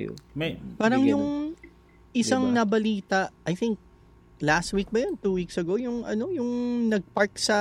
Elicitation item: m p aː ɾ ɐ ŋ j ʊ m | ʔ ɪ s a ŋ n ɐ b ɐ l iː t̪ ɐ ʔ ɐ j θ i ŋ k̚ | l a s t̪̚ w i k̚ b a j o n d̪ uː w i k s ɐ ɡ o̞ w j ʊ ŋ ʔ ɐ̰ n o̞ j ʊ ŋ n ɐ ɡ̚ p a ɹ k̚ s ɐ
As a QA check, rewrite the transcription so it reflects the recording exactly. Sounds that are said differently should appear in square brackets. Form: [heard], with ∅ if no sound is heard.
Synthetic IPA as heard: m p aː ɾ ɐ ŋ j ʊ [ŋ] | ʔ ɪ s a ŋ n ɐ b ɐ l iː t̪ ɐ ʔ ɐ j θ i ŋ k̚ | l a s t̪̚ w i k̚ b [ɐ] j o n [t̪] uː w i k s ɐ ɡ o̞ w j ʊ ŋ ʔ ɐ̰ n o̞ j ʊ ŋ n ɐ ɡ̚ p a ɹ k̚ s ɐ